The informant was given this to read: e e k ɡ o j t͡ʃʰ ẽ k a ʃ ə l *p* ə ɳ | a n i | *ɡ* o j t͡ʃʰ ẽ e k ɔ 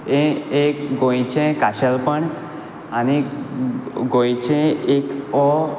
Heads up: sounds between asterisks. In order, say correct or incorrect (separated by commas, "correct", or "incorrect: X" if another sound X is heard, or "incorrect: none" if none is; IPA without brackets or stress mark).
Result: correct, correct